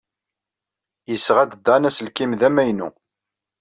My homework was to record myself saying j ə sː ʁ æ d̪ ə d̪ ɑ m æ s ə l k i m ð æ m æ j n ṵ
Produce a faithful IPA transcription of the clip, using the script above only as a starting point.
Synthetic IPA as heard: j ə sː ʁ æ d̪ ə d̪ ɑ n æ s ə l k i m ð æ m æ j n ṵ